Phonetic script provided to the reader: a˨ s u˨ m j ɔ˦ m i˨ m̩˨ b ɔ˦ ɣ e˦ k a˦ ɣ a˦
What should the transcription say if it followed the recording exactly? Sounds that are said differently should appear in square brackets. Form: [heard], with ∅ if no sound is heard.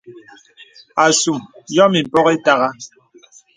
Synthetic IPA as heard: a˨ s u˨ m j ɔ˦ m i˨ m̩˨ [p] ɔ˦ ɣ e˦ [t] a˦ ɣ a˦